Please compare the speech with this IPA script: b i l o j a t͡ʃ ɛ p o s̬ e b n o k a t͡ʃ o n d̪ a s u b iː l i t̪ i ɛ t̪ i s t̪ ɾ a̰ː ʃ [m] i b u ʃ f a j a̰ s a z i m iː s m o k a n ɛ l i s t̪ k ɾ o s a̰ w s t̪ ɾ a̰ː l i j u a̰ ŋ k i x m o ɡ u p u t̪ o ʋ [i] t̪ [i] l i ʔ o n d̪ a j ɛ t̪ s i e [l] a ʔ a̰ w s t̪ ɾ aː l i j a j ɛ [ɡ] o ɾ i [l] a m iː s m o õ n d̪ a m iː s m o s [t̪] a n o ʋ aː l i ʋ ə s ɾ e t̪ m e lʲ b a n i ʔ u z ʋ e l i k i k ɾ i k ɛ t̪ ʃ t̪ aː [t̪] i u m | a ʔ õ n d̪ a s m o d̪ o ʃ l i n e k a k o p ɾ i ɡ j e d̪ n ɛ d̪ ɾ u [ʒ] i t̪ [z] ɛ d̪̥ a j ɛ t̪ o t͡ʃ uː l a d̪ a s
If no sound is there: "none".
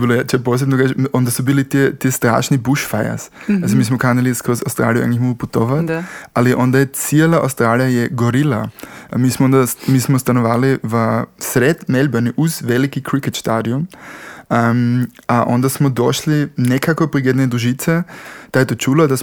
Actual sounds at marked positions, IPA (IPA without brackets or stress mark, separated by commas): n, a, a, l, ɡ, l, t̪, d̪, ʒ, s